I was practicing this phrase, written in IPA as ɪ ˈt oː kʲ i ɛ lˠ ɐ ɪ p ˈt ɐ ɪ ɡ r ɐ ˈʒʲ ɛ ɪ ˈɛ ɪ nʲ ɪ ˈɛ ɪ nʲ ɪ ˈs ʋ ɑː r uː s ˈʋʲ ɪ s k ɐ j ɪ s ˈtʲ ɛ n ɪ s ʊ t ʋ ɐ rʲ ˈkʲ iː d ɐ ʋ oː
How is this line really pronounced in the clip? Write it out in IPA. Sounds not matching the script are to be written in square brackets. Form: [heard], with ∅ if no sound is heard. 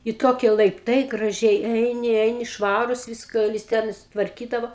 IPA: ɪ ˈt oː kʲ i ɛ lˠ ɐ ɪ p ˈt ɐ ɪ ɡ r ɐ ˈʒʲ ɛ ɪ ˈɛ ɪ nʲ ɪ ˈɛ ɪ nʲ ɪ [ˈʃ] ʋ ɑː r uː s ˈʋʲ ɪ s k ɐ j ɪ s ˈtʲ ɛ n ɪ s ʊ t ʋ ɐ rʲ ˈkʲ iː d ɐ ʋ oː